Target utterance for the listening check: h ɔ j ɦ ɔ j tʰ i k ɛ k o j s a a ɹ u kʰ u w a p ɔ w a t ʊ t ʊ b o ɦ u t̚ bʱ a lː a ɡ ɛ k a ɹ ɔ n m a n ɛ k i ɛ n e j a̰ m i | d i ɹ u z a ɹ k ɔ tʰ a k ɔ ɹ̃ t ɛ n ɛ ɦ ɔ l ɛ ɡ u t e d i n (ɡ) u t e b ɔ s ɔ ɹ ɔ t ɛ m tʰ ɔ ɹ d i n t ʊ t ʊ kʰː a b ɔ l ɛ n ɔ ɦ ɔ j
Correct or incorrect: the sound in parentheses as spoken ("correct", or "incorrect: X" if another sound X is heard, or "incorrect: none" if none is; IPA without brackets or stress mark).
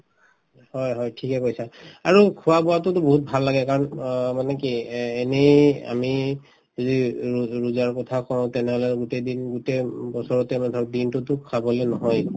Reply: correct